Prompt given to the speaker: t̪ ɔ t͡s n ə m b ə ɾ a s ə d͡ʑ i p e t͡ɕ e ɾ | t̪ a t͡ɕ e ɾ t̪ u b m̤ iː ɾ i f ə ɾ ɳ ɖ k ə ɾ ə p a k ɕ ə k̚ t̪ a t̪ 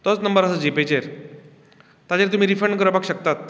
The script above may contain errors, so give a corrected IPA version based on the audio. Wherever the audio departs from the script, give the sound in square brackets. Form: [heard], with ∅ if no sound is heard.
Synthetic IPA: t̪ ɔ t͡s n ə m b ə ɾ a s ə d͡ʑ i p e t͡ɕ e ɾ | t̪ a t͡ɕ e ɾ t̪ u [∅] m̤ iː ɾ i f ə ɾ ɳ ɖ k ə ɾ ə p a k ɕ ə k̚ t̪ a t̪

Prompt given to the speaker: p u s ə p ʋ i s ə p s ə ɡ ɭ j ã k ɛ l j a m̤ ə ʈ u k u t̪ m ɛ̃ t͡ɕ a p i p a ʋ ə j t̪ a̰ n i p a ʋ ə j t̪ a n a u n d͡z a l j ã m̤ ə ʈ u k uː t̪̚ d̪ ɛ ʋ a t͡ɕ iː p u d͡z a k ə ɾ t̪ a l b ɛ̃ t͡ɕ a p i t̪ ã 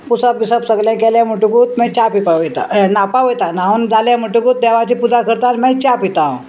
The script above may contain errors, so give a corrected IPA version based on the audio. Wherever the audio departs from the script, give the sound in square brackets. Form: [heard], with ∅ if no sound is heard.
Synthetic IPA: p u s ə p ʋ i s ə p s ə ɡ [l] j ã k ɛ l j a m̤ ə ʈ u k u t̪ m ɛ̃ t͡ɕ a p i p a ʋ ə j t̪ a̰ n [a] p a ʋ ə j t̪ a n a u n d͡z a l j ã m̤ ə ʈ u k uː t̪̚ d̪ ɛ ʋ a t͡ɕ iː p u d͡z a k ə ɾ t̪ a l [m] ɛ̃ t͡ɕ a p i t̪ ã

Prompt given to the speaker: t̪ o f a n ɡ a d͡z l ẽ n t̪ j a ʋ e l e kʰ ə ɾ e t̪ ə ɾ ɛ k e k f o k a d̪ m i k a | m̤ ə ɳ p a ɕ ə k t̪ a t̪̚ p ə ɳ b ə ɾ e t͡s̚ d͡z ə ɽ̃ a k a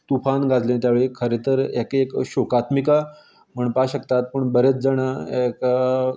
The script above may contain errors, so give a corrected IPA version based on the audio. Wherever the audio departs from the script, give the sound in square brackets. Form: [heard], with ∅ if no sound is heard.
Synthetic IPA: t̪ [u] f a n ɡ a d͡z l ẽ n t̪ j a ʋ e [ɭ] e kʰ ə ɾ e t̪ ə ɾ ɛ k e k [ɕ] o k a [t̪] m i k a | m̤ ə ɳ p a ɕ ə k t̪ a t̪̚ p ə ɳ b ə ɾ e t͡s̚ d͡z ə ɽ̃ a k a

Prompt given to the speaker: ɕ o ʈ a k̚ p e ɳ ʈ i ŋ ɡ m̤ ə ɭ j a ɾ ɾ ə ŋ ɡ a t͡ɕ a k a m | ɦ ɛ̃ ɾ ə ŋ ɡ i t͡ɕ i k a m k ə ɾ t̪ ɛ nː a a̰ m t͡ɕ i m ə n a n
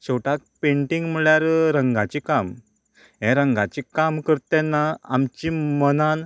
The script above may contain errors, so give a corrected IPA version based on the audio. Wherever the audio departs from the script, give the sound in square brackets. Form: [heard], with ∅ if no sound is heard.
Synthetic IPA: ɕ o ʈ a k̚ p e ɳ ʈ i ŋ ɡ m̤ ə ɭ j a ɾ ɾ ə ŋ ɡ a t͡ɕ [i] k a m | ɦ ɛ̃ ɾ ə ŋ ɡ [a] t͡ɕ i k a m k ə ɾ t̪ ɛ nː a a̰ m t͡ɕ i m ə n a n

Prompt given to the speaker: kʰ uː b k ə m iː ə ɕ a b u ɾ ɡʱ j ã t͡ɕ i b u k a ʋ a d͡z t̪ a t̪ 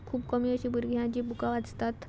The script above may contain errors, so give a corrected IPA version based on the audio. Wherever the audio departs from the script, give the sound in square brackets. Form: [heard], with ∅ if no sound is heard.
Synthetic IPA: kʰ uː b k ə m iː ə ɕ [i] b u ɾ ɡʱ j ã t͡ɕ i b u k a ʋ a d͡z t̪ a t̪

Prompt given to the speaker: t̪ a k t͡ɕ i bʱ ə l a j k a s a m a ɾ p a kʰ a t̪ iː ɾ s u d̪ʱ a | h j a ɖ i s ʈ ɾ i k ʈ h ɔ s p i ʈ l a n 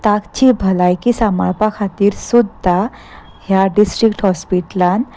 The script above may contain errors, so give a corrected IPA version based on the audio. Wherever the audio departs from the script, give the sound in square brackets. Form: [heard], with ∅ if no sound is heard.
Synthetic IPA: t̪ a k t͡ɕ i bʱ ə l a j k [i] s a m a [ɭ] p a kʰ a t̪ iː ɾ s u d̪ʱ a | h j a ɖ i s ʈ ɾ i k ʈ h ɔ s p i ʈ l a n

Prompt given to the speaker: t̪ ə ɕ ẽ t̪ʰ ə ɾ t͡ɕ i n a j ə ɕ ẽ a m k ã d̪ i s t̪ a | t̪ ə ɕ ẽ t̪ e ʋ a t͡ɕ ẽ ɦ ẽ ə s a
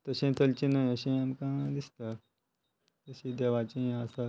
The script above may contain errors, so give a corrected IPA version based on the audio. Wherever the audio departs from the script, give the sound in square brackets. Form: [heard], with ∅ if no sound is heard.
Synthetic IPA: t̪ ə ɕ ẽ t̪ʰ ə [l] t͡ɕ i n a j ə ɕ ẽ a m k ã d̪ i s t̪ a | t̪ ə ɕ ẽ [d̪] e ʋ a t͡ɕ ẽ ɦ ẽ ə s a

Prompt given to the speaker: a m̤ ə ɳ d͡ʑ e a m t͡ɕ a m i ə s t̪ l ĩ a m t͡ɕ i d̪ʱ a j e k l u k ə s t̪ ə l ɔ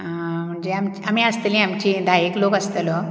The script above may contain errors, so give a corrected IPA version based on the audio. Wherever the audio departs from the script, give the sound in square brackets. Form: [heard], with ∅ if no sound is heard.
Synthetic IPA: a m̤ ə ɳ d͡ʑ e a m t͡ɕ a m i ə s t̪ l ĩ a m t͡ɕ i d̪ʱ a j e k l [o] k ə s t̪ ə l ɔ

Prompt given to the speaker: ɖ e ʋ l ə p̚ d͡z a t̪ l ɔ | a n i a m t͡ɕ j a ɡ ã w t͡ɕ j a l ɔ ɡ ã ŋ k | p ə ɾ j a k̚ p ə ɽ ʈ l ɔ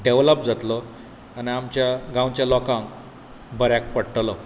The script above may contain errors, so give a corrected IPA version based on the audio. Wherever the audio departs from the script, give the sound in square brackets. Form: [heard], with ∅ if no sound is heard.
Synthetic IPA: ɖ e ʋ l ə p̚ d͡z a t̪ l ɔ | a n i a m t͡ɕ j a ɡ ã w t͡ɕ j a l ɔ [k] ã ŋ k | [b] ə ɾ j a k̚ p ə ɽ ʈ l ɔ

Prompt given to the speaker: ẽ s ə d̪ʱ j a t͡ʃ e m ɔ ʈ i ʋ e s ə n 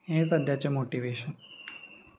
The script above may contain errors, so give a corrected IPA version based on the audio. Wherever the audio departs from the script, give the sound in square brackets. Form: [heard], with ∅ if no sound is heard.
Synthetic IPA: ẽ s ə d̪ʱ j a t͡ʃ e m [o] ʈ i ʋ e [ʃ] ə n

